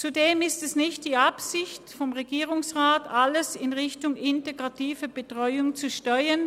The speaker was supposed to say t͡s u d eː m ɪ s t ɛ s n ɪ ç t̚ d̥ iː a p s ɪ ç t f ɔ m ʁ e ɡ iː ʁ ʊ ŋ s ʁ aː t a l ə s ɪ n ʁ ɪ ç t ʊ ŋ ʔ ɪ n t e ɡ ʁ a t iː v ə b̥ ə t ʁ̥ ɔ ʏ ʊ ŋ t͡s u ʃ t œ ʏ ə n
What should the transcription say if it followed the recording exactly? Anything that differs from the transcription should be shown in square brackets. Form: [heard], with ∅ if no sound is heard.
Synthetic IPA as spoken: t͡s u d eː m ɪ s t ɛ s n ɪ ç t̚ d̥ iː a p s ɪ ç t f ɔ m ʁ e ɡ iː ʁ ʊ ŋ s ʁ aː t a l ə s ɪ n ʁ ɪ ç t ʊ ŋ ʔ ɪ n t e ɡ ʁ a t iː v ə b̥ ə t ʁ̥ ɔ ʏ ʊ ŋ t͡s u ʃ t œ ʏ ə n

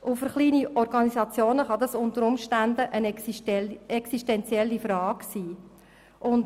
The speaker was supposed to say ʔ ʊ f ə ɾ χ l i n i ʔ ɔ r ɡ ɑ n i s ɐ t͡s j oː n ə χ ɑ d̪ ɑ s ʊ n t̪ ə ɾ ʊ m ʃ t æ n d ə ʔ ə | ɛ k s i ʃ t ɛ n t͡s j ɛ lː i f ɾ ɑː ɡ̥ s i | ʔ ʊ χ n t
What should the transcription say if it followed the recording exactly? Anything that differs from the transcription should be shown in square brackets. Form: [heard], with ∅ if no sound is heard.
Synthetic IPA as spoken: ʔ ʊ f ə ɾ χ l [iː] n i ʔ ɔ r ɡ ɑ n i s [ɑ] t͡s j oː n ə χ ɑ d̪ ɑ s ʊ n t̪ ə ɾ ʊ m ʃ t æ n d ə ʔ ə | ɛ k s i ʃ t ɛ n t͡s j ɛ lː i f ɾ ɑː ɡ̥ s [iː] | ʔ ʊ [∅] n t

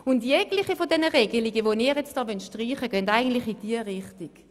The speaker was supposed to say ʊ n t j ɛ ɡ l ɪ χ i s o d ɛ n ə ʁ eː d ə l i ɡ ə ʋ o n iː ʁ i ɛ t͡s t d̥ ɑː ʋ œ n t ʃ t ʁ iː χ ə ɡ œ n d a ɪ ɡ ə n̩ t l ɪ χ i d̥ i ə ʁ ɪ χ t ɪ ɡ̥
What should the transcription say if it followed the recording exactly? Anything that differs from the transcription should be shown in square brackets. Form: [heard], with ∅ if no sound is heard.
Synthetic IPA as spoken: ʊ n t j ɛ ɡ l ɪ χ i [f] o d ɛ n ə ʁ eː [ɡ] ə l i ɡ ə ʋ o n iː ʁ [j] ɛ t͡s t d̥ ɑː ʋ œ n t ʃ t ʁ iː χ ə ɡ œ n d a ɪ ɡ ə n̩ t l ɪ χ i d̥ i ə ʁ ɪ χ t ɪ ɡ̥

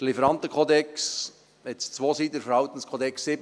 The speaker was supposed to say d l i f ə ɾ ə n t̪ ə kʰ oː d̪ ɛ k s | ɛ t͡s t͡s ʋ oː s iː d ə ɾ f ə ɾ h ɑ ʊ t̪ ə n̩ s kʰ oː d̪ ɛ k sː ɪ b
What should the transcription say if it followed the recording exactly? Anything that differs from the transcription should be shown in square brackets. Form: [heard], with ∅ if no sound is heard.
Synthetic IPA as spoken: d l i f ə ɾ [ɑ] n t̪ ə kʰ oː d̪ ɛ k s | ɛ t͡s t͡s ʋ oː s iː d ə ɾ f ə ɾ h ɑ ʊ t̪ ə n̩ s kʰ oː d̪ ɛ k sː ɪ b

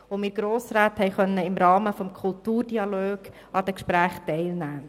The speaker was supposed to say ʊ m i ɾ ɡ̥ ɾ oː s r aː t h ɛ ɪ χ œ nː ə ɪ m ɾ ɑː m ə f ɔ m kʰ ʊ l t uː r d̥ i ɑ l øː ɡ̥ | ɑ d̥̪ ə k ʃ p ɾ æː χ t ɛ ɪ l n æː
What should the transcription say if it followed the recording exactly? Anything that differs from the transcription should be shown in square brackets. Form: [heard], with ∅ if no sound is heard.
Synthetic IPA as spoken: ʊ m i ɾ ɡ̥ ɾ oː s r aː t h ɛ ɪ χ œ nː ə ɪ m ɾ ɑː m ə f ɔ m kʰ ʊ l t uː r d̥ i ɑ l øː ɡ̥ | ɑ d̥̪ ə k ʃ p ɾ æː χ t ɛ ɪ l n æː

